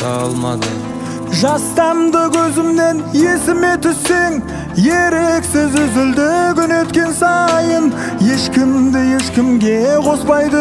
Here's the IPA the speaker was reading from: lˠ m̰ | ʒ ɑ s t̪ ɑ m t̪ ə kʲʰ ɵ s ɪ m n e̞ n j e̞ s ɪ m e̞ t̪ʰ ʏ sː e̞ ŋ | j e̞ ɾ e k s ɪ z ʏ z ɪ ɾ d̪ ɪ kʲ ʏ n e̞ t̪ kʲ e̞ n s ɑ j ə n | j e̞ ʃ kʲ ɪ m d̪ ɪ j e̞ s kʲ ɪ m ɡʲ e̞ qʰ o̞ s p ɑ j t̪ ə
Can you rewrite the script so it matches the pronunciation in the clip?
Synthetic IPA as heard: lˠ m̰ | ʒ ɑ s t̪ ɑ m d̪ ə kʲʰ ɵ z ɪ m n e̞ n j e̞ s ɪ m e̞ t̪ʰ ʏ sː e̞ ŋ | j e̞ ɾ e k s ɪ z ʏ z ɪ l d̪ ɪ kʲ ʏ n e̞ t̪ kʲ e̞ n s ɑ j ə n | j e̞ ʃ kʲ ɪ m d̪ ɪ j e̞ ʃ kʲ ɪ m ɡʲ e̞ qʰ o̞ s p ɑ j d̪ ə

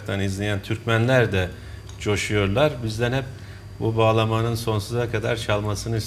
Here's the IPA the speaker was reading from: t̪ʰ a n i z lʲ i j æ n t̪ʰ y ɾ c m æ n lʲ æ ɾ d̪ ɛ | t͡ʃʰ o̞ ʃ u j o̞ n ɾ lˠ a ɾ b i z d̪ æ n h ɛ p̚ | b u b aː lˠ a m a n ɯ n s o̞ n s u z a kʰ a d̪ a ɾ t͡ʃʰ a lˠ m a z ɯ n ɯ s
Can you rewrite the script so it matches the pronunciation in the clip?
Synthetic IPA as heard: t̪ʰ a n i z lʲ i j æ n t̪ʰ y ɾ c m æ n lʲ æ ɾ d̪ ɛ | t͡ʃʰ o̞ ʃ u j o̞ ɾ lˠ a ɾ b i z d̪ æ n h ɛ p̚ | b u b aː lˠ a m a n ɯ n s o̞ n s u z a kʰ a d̪ a ɾ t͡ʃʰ a lˠ m a s ɯ n ɯ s

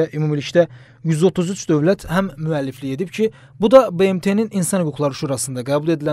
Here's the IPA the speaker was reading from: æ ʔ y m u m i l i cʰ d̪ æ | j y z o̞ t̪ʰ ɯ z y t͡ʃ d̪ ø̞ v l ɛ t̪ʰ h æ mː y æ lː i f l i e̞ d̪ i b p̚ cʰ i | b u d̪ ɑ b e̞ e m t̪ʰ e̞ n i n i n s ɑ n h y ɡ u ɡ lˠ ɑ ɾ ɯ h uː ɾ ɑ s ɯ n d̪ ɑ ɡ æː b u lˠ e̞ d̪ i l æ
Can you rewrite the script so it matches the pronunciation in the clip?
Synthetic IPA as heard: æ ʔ y m u m i l i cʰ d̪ æ | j y z o̞ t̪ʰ u z y t͡ʃ d̪ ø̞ v l æ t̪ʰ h æ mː y æ lː i f l i e̞ d̪ i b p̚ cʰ i | b u d̪ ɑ b e̞ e m t̪ʰ e̞ n i n i n s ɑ n h y ɡ u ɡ lˠ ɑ ɾ ɯ ʃ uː ɾ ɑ s ɯ n d̪ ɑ ɡ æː b u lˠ e̞ d̪ i l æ

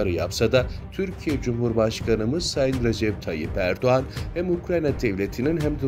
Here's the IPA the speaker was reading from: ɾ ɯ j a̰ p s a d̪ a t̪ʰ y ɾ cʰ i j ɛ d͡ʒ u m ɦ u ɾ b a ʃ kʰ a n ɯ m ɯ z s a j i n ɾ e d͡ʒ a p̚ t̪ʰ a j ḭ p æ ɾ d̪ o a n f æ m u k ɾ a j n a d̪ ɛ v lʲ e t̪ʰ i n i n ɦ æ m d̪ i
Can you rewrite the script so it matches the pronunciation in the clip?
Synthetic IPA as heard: ɾ ɯ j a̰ p s a d̪ a t̪ʰ y ɾ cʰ i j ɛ d͡ʒ u m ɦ u ɾ b a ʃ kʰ a n ɯ m ɯ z s a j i n ɾ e d͡ʒ ɛ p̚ t̪ʰ a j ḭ p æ ɾ d̪ o a n h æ m u k ɾ a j n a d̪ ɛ v lʲ e t̪ʰ i n i n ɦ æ m d̪ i

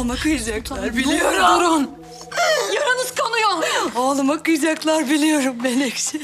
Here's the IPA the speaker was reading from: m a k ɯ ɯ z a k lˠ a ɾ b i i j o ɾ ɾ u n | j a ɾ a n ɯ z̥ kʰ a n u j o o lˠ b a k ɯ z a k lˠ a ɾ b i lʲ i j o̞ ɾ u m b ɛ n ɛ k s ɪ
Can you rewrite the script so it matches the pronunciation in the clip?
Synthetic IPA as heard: m a k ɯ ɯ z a k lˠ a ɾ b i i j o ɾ ɾ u n | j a ɾ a n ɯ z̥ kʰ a n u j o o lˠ m a k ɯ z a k lˠ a ɾ b i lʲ i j o̞ ɾ u m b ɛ n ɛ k s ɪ

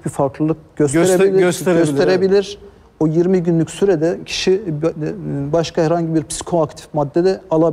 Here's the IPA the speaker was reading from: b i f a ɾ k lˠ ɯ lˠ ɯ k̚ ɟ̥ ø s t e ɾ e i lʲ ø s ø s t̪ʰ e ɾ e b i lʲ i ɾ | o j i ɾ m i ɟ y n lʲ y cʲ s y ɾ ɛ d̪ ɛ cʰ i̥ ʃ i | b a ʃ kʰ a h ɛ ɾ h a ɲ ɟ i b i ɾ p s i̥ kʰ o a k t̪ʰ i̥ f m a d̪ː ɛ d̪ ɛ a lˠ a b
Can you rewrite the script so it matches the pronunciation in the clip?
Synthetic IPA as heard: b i f a ɾ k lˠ ɯ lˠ ɯ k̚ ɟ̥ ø s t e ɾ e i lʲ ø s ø s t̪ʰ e ɾ e b i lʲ i ɾ | o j i ɾ m i ɟ y n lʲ y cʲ s y ɾ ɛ d̪ ɛ cʰ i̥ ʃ i | b a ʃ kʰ a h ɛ ɾ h a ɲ ɟ i b i ɾ p s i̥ kʰ o a k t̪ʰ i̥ f m a d̪ː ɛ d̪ ɛ a lˠ a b

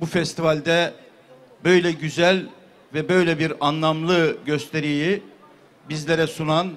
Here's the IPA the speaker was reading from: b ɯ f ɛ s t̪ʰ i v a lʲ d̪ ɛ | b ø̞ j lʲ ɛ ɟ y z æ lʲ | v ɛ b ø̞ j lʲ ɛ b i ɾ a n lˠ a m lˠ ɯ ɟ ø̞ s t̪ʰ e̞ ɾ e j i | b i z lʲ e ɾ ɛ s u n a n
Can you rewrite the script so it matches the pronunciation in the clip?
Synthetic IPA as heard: b u f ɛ s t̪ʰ i v a lʲ d̪ ɛ | b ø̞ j lʲ ɛ ɟ y z æ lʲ | v ɛ b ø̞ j lʲ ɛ b i ɾ a n lˠ a m lˠ ɯ ɟ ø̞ s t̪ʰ e̞ ɾ i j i | b i z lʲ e ɾ ɛ s u n a n

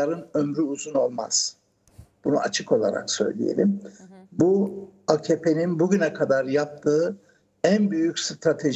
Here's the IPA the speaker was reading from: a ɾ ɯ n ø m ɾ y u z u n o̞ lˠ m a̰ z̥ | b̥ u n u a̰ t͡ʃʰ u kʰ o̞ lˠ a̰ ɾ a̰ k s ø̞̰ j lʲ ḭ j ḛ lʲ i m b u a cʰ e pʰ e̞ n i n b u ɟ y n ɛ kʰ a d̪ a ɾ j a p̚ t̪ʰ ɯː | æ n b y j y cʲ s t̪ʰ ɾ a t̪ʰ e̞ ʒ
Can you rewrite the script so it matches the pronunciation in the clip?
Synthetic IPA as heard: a ɾ ɯ n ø m ɾ y u z u n o̞ lˠ m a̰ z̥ | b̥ u n u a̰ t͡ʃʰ ɯ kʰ o̞ lˠ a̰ ɾ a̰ k s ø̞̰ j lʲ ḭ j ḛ lʲ i m b u a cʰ e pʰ e̞ n i n b u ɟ y n ɛ kʰ a d̪ a ɾ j a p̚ t̪ʰ ɯː | æ n b y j y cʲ s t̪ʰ ɾ a t̪ʰ e̞ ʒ

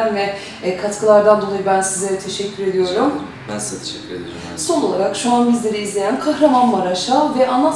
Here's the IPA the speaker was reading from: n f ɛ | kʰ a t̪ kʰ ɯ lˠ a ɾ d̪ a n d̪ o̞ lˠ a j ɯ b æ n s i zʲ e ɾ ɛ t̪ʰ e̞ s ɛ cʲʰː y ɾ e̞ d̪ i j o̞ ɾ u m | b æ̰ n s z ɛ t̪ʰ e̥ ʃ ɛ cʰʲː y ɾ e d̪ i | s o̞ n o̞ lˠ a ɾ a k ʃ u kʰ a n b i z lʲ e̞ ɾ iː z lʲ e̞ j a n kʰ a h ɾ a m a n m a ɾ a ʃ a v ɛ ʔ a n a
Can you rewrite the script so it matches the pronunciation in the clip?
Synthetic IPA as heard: n v ɛ | kʰ a t̪ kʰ ɯ lˠ a ɾ d̪ a n d̪ o̞ lˠ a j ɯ b æ n s i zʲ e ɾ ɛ t̪ʰ e̞ ʃ ɛ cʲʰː y ɾ e̞ d̪ i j o̞ ɾ u m | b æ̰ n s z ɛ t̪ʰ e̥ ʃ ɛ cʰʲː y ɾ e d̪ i | s o̞ n o̞ lˠ a ɾ a k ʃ u a n b i z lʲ e̞ ɾ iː z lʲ e̞ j æ n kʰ a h ɾ a m a n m a ɾ a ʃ a v ɛ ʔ a n a

